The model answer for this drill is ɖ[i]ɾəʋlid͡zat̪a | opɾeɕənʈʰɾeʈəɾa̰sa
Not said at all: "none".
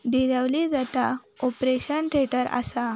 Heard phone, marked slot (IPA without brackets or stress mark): i